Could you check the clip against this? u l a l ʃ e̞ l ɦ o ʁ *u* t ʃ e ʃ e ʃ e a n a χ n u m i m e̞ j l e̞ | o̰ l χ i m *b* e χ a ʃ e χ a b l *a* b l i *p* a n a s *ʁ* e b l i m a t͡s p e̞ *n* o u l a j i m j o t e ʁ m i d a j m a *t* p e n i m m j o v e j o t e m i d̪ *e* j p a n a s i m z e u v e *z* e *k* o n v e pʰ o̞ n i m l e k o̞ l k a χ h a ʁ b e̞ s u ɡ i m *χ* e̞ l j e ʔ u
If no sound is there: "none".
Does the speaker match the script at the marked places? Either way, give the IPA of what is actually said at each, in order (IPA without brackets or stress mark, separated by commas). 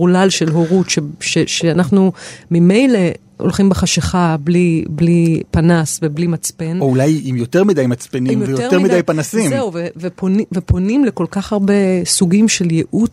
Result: u, b, i, p, v, n, t͡s, a, v, p, ʃ